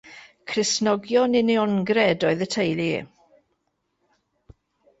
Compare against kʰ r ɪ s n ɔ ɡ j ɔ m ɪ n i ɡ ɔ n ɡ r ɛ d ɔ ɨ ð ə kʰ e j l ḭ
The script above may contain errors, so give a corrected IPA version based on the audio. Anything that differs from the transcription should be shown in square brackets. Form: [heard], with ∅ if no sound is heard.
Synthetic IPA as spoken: kʰ r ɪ s n ɔ ɡ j ɔ [n] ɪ n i [∅] ɔ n ɡ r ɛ d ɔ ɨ ð ə [tʰ] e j l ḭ